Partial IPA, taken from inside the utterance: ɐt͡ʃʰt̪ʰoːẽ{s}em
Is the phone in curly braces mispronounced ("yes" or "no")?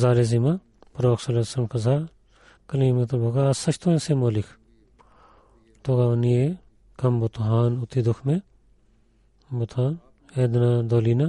no